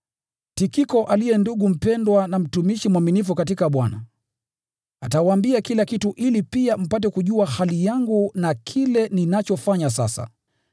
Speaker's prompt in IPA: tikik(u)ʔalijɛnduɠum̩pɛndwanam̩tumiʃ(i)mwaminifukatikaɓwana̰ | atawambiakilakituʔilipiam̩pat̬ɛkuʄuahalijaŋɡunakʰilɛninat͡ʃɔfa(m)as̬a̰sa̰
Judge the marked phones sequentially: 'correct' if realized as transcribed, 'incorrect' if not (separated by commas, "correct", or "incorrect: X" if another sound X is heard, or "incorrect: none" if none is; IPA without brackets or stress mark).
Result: incorrect: ɔ, correct, incorrect: ɲ